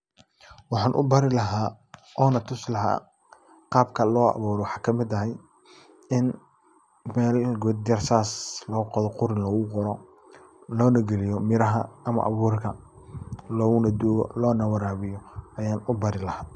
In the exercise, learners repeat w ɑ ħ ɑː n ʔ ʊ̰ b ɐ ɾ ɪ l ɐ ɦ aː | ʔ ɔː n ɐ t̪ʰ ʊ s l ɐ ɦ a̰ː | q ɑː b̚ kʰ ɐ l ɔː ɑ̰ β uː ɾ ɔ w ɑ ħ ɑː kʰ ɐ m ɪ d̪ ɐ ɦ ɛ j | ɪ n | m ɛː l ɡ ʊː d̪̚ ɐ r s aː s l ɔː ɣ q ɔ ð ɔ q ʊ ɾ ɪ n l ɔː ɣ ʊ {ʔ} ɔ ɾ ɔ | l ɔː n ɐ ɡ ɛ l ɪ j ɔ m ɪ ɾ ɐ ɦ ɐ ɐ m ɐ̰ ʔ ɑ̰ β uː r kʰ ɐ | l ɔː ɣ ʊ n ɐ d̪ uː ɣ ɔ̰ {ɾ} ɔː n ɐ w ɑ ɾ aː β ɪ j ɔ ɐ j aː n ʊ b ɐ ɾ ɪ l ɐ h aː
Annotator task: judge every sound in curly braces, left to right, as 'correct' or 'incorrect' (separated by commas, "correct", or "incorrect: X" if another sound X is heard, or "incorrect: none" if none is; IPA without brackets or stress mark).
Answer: incorrect: q, incorrect: l